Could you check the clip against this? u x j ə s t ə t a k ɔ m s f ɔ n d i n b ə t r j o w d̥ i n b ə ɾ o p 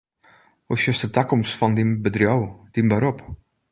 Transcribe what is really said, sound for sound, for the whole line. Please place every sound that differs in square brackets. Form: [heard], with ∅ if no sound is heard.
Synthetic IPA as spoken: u [s] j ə s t ə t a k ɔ m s f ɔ n d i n b ə [d] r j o w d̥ i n b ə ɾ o p